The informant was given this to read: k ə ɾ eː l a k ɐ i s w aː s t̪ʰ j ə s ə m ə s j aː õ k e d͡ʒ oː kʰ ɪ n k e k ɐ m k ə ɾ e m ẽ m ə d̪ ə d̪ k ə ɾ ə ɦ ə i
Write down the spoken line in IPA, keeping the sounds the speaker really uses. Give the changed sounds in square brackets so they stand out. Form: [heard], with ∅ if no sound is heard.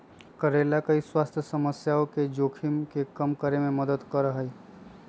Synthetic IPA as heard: k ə ɾ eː l a k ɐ i s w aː s t̪ʰ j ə s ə m ə s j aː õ k e d͡ʒ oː kʰ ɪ [m] k e k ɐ m k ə ɾ e m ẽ m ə d̪ ə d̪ k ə ɾ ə ɦ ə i